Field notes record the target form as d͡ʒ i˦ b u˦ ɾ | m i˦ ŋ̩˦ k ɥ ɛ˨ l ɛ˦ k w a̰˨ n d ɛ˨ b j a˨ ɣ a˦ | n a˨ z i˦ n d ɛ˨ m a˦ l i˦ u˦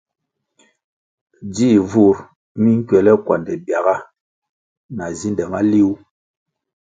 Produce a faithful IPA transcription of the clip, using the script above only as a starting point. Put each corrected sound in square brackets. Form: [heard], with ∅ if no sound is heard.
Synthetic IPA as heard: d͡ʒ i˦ [v] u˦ ɾ | m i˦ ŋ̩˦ k ɥ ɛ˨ l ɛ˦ k w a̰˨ n d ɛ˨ b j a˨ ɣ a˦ | n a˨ z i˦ n d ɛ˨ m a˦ l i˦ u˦

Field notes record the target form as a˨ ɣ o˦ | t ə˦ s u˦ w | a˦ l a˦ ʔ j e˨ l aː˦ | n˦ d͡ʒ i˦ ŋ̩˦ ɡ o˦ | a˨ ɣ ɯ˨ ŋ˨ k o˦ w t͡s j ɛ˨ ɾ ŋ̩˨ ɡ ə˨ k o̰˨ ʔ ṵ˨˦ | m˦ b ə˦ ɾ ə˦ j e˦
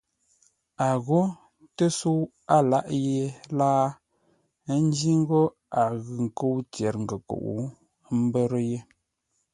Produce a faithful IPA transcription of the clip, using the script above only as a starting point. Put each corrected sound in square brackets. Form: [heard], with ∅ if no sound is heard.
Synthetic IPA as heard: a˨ ɣ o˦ | t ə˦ s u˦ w | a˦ l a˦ ʔ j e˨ l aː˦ | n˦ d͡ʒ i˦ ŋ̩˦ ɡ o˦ | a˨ ɣ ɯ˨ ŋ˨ k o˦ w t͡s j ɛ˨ ɾ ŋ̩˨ ɡ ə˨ k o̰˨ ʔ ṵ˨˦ | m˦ b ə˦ ɾ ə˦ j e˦

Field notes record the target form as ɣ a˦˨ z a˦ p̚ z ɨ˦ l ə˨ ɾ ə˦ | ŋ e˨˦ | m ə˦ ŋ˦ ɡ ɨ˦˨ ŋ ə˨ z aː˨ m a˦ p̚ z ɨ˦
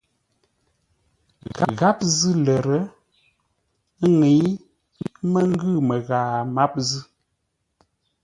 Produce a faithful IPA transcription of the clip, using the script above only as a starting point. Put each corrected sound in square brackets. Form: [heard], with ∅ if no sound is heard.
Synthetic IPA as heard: ɣ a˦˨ [ɣ] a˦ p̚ z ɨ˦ l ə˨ ɾ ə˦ | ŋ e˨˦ | m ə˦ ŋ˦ ɡ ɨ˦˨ [m] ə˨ [ɣ] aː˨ m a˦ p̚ z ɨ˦

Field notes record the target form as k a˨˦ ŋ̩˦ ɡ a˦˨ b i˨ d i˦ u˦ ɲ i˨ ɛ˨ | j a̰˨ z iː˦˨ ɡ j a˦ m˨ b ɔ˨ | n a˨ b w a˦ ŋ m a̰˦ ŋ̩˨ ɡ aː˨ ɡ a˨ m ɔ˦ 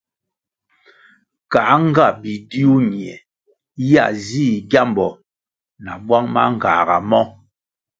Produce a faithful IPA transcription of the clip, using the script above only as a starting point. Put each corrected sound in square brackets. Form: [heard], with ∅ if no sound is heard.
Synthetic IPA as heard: k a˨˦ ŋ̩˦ ɡ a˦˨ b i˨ d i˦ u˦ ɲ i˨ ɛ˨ | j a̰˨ z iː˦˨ ɡ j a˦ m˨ b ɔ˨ | n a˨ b w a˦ ŋ m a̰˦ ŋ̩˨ ɡ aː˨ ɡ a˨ m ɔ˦

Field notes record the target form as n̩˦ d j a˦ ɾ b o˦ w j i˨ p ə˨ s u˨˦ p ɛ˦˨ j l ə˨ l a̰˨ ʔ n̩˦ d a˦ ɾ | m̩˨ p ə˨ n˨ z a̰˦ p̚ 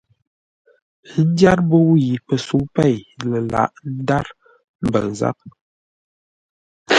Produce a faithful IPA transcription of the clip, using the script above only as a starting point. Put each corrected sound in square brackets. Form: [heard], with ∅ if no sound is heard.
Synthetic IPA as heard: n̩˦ d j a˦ ɾ b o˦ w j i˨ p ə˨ s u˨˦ p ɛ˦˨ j l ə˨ l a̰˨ ʔ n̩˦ d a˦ ɾ | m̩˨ [b] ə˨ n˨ z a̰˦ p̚

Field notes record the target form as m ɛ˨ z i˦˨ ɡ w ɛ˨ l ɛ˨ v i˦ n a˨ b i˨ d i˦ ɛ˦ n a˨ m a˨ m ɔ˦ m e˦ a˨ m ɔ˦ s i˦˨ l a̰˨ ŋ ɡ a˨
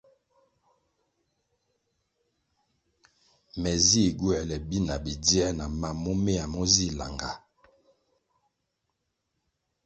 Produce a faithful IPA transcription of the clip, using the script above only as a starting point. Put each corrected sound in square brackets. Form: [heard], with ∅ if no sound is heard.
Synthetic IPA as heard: m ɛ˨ z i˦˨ ɡ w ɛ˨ l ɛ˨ [b] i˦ n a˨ b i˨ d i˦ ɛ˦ n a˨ m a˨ m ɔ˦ m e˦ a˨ m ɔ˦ [z] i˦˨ l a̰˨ ŋ ɡ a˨

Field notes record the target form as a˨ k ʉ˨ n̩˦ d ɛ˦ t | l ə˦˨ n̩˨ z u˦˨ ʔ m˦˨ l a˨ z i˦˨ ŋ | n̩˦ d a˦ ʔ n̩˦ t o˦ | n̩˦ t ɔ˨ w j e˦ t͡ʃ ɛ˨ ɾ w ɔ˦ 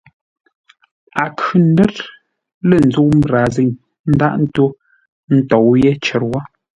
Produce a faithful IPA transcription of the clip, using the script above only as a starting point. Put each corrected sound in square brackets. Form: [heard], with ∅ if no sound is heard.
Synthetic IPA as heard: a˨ k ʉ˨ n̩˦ d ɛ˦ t | l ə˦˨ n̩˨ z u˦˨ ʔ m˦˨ [ɾ] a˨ z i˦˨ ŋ | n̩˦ d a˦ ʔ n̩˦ t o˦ | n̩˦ t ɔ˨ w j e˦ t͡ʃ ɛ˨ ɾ w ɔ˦

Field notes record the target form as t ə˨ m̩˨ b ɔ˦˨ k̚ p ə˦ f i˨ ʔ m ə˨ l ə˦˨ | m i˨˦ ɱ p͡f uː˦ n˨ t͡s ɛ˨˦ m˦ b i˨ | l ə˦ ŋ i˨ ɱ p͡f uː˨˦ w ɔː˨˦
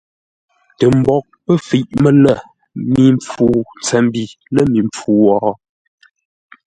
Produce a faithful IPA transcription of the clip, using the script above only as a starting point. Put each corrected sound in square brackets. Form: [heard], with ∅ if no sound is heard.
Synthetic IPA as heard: t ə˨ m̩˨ b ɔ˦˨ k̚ p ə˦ f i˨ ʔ m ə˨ l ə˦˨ | m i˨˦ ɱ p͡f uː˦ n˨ t͡s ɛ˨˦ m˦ b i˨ | l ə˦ [m] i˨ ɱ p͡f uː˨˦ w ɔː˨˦

